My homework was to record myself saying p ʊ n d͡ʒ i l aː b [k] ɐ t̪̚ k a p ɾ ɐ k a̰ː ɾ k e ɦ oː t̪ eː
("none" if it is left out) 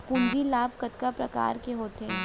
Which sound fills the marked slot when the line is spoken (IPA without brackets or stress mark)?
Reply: k